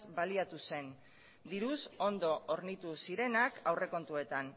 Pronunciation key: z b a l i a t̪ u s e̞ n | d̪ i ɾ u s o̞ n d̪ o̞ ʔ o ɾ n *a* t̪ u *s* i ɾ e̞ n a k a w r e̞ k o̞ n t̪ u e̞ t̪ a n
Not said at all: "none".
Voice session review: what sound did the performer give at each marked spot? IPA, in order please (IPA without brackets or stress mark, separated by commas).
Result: i, s